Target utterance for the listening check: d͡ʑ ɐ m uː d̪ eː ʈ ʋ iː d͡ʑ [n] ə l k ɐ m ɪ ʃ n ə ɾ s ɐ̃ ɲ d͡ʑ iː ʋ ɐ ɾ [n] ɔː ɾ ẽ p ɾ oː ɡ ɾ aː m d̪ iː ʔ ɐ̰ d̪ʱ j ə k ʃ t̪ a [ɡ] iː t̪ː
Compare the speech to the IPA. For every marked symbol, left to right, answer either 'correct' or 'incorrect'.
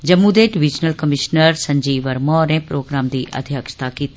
correct, incorrect, incorrect

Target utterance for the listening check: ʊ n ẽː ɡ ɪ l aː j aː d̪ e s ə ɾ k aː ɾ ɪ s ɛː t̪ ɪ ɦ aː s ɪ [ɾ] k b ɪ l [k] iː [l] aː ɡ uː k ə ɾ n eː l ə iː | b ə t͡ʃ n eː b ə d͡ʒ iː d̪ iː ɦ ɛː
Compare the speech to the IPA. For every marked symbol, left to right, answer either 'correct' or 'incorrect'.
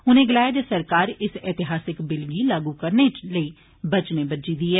incorrect, incorrect, correct

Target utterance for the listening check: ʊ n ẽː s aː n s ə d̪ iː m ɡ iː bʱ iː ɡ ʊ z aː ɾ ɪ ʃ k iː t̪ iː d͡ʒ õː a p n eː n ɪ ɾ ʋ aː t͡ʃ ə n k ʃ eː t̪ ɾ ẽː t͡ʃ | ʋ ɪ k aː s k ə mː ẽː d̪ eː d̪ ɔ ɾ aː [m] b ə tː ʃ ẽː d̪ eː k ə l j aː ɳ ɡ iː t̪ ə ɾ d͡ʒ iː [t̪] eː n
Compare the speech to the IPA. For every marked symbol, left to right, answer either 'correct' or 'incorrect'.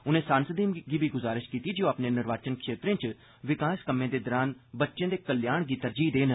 incorrect, incorrect

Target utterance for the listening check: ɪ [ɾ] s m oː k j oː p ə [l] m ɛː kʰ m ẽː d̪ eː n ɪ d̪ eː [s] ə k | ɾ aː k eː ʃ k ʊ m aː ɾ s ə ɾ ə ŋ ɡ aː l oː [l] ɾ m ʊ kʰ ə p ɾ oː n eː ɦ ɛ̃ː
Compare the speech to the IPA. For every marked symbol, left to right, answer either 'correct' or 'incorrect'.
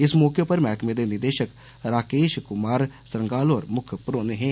incorrect, incorrect, incorrect, incorrect

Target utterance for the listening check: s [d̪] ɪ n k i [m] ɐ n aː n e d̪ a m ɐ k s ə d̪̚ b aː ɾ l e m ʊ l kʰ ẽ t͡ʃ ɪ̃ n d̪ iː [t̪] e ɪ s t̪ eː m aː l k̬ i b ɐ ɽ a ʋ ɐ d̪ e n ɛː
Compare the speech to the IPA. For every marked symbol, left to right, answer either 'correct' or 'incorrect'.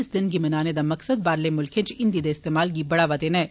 correct, correct, incorrect

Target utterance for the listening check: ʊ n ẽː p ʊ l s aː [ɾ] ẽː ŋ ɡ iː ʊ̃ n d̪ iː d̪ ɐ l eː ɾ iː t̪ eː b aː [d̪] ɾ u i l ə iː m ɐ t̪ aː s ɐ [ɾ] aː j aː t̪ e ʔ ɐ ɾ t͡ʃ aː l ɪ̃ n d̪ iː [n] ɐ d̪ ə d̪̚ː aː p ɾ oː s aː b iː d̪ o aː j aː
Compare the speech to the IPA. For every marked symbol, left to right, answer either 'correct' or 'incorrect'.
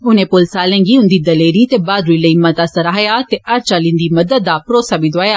incorrect, correct, correct, incorrect

